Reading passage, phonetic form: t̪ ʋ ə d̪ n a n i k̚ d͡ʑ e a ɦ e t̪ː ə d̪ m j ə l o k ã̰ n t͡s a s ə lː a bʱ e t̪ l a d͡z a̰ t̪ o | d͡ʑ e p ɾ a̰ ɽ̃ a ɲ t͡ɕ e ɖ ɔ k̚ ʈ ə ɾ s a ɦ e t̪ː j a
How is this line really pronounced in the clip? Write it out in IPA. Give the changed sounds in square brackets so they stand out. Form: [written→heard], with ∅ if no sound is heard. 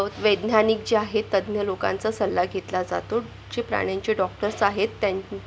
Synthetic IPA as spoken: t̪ ʋ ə d̪ n a n i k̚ d͡ʑ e a ɦ e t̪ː ə d̪ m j ə l o k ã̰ n t͡s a s ə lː a [bʱ→ɡʱ] e t̪ l a d͡z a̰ t̪ o | d͡ʑ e p ɾ a̰ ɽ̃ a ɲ t͡ɕ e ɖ ɔ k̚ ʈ ə ɾ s a ɦ e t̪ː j a